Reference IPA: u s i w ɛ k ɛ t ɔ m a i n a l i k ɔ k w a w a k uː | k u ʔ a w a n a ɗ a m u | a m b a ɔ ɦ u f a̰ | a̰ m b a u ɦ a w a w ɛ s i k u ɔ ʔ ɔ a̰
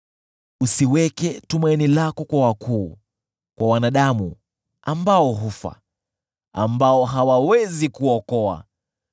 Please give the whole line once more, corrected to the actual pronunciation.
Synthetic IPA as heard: u s i w ɛ k ɛ t u m a i n i l a k ɔ k w a w a k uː | k w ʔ a w a n a ɗ a m u | a m b a ɔ ɦ u f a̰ | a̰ m b a ɔ ɦ a w a w ɛ z i k u ɔ k ɔ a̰